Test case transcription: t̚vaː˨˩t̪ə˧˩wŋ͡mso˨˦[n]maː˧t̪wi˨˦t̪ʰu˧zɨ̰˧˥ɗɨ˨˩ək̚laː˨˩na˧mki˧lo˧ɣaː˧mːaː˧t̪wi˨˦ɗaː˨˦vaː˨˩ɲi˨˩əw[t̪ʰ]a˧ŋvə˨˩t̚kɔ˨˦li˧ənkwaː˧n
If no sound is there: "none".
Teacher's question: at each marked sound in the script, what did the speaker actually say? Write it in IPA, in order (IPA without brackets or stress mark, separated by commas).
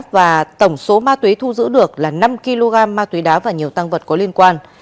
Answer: none, t̪